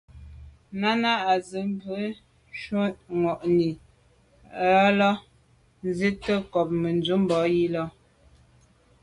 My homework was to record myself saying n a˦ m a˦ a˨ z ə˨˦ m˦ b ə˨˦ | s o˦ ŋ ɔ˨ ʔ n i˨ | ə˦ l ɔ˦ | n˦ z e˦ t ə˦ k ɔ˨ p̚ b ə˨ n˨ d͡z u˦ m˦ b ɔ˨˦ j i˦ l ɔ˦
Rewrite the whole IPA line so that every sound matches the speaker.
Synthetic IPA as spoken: n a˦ n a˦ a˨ z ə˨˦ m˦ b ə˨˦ | ʃ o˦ ŋ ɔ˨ ʔ n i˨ | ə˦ l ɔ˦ | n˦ z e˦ t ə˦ k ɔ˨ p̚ m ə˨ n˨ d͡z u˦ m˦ b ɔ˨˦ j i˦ l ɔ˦